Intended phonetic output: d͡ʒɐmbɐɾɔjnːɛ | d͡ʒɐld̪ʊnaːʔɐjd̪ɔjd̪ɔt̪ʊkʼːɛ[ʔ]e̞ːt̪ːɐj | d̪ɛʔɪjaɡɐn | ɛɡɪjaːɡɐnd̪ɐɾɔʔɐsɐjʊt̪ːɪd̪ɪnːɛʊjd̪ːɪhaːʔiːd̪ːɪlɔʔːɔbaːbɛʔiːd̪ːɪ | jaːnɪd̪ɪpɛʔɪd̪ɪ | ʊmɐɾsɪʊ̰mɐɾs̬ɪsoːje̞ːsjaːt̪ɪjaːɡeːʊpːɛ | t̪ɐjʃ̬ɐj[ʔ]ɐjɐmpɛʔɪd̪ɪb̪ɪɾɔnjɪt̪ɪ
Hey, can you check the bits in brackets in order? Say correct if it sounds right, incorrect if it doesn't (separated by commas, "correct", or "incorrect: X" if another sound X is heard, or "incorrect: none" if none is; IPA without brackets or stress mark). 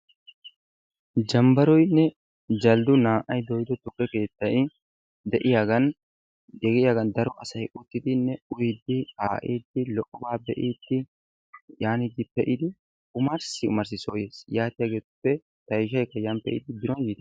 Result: incorrect: k, incorrect: k